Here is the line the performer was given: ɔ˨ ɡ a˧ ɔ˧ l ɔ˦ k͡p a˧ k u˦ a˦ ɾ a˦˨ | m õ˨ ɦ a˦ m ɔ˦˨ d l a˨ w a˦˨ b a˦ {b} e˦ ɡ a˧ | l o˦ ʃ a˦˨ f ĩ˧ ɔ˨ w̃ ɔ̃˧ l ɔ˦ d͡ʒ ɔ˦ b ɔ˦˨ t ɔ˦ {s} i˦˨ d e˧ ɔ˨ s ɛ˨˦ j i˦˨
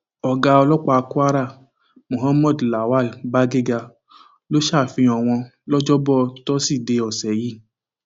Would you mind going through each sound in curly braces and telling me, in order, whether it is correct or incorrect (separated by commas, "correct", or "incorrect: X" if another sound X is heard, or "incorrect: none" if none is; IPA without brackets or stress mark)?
incorrect: ɡ, correct